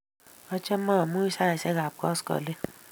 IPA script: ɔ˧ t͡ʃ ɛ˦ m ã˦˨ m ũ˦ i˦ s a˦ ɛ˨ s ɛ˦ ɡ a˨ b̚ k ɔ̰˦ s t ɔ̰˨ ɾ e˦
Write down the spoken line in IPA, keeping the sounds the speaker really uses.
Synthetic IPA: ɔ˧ t͡ʃ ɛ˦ m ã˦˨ m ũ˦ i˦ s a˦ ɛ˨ s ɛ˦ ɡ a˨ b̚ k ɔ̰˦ s k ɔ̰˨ l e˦